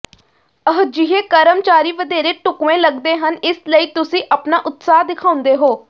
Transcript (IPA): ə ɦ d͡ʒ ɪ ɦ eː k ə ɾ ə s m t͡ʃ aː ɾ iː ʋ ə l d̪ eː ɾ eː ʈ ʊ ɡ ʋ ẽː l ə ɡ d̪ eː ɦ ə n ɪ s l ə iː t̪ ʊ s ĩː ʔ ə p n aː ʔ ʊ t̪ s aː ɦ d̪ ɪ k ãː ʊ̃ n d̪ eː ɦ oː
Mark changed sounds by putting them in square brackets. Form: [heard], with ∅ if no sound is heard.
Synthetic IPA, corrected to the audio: ə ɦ d͡ʒ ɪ ɦ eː k ə ɾ ə [∅] m t͡ʃ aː ɾ iː ʋ ə [∅] d̪ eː ɾ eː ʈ ʊ [k] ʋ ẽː l ə ɡ d̪ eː ɦ ə n ɪ s l ə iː t̪ ʊ s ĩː ʔ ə p n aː ʔ ʊ t̪ s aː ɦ d̪ ɪ [kʰ] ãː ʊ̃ n d̪ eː ɦ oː